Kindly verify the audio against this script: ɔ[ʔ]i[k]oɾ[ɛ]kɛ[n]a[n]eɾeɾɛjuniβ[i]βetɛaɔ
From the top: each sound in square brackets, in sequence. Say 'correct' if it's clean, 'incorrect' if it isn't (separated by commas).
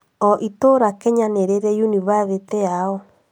correct, incorrect, incorrect, incorrect, correct, incorrect